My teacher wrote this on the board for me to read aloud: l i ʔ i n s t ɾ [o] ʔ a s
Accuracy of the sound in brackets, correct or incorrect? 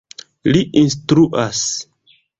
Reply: incorrect